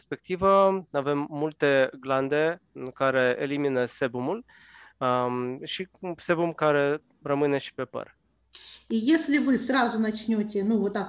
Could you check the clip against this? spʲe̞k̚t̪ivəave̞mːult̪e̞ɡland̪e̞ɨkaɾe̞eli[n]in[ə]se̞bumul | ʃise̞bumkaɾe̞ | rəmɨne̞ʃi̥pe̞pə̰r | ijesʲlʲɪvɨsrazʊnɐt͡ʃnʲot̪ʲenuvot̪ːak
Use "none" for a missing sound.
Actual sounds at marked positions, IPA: m, ə

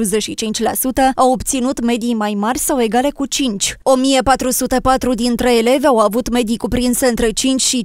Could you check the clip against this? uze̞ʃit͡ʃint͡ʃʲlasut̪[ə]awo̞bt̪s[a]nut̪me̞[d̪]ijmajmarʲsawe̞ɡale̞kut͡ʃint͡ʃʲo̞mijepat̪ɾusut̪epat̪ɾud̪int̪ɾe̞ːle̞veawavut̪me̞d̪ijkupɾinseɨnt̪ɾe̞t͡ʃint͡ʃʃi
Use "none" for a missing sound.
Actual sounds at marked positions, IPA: ə, i, d̪

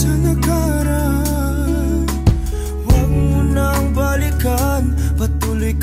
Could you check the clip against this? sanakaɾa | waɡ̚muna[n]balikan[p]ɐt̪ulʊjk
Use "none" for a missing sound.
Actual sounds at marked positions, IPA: ŋ, p

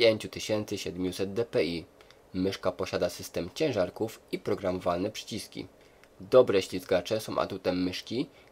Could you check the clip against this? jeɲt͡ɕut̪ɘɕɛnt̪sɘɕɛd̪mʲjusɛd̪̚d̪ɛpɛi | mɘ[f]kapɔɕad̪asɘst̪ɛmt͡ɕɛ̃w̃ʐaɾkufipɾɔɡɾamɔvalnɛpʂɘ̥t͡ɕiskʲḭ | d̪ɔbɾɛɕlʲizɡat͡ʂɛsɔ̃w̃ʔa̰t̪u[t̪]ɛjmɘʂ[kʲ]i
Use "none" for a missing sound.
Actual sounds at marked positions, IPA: ʂ, t̪, kʲ

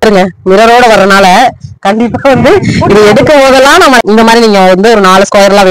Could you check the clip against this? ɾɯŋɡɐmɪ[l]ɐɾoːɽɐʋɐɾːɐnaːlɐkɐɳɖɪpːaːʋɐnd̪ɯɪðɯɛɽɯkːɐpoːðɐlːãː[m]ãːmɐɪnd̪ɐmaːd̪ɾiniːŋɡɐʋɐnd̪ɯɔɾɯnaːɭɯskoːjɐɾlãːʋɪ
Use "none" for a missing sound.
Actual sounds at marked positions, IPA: ɾ, n

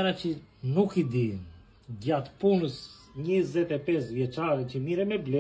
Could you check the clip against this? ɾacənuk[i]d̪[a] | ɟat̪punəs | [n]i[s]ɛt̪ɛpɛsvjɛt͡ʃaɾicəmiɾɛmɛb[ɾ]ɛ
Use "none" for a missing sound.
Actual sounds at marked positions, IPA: i, i, ɲ, z, l

